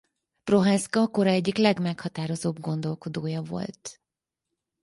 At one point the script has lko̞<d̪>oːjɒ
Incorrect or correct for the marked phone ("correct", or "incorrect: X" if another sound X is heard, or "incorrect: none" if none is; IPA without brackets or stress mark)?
correct